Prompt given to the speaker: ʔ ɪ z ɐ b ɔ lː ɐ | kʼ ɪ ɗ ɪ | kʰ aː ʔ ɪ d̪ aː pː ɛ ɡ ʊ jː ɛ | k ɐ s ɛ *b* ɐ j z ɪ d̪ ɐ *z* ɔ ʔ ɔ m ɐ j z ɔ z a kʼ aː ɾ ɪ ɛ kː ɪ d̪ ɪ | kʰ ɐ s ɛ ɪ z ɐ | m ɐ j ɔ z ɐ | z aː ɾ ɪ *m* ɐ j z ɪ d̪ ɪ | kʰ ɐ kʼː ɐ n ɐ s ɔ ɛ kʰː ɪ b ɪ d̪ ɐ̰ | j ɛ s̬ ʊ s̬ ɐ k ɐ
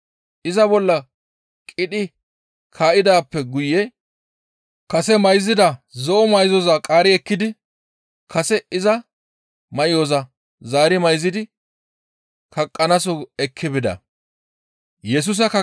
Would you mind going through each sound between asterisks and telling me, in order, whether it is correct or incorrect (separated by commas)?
incorrect, correct, correct